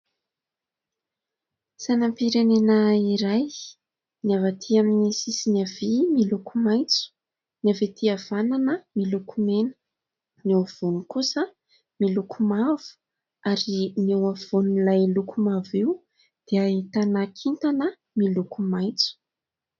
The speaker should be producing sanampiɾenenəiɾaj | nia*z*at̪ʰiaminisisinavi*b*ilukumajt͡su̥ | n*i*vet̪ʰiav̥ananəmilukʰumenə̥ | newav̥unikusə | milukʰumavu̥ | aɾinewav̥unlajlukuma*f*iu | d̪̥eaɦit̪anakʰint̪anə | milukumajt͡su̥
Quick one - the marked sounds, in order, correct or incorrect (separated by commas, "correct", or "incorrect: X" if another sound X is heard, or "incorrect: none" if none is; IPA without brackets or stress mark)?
incorrect: v, incorrect: m, incorrect: a, incorrect: v